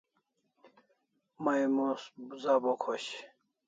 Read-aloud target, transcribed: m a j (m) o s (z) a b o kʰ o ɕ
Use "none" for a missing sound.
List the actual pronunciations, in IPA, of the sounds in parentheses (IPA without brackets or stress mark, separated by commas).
m, z